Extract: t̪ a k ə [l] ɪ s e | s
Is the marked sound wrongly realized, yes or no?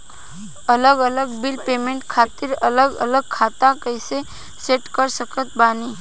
yes